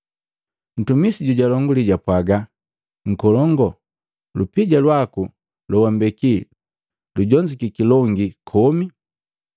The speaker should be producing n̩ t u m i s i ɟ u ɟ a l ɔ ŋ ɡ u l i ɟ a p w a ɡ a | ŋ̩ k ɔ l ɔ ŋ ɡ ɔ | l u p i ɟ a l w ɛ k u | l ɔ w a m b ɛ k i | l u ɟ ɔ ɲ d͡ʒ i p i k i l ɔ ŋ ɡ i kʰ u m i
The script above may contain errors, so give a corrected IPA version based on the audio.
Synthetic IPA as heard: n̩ t u m i s i ɟ u ɟ a l ɔ ŋ ɡ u l i ɟ a p w a ɡ a | ŋ̩ k ɔ l ɔ ŋ ɡ ɔ | l u p i ɟ a l w a k u | l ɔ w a m b ɛ k i | l u ɟ ɔ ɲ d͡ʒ i k i k i l ɔ ŋ ɡ i kʰ ɔ m i